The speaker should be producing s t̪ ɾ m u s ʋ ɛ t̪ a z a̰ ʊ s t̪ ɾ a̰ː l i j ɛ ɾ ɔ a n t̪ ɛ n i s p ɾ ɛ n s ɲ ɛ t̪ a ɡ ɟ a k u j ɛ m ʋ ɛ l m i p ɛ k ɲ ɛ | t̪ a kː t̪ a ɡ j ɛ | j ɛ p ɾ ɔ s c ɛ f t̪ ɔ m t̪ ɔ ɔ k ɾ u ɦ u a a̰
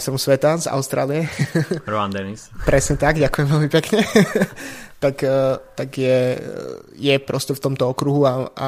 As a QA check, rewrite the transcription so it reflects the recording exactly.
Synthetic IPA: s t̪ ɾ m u s ʋ ɛ t̪ a z a̰ ʊ s t̪ ɾ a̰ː l i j ɛ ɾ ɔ a n d̪ ɛ n i s p ɾ ɛ s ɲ ɛ t̪ a ɡ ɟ a k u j ɛ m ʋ ɛ l m i p ɛ k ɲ ɛ | t̪ a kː t̪ a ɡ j ɛ | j ɛ p ɾ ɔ s c ɛ f t̪ ɔ m t̪ ɔ ɔ k ɾ u ɦ u a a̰